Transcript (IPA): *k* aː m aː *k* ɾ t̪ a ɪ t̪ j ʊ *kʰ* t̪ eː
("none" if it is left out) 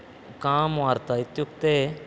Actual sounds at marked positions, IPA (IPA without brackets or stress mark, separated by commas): k, none, k